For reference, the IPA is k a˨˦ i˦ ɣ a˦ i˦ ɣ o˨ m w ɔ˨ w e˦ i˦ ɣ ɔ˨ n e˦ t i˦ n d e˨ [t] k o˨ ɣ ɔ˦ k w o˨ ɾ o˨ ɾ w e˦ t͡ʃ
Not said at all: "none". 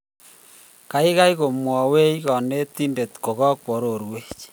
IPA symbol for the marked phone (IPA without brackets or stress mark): t